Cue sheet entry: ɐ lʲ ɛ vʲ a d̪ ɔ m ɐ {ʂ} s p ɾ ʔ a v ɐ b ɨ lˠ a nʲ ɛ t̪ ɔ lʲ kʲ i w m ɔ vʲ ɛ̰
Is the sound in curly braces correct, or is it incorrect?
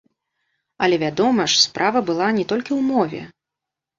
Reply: correct